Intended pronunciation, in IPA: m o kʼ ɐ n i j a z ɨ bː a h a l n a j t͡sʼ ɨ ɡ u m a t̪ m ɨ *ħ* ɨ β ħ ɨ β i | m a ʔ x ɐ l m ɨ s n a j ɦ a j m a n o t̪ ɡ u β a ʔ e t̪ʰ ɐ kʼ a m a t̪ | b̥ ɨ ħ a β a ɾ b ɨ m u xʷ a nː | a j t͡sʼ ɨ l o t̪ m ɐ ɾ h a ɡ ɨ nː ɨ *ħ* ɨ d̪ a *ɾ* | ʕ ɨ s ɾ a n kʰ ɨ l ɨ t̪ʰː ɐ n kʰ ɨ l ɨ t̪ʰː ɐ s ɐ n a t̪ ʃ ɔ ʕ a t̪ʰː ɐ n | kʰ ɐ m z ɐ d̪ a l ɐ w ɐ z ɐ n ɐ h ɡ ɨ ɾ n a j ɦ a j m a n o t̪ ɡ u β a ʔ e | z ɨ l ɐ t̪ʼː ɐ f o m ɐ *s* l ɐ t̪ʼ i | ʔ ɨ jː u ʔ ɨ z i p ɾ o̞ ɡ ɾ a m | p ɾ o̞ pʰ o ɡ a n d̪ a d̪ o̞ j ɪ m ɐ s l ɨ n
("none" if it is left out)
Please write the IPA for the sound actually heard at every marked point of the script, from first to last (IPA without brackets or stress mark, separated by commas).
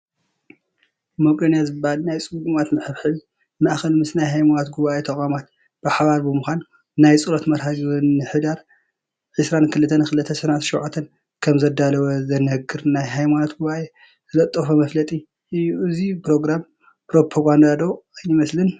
ħ, ħ, ɾ, f